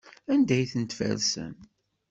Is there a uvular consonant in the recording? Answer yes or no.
no